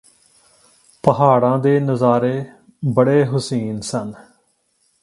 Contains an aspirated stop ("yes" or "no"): no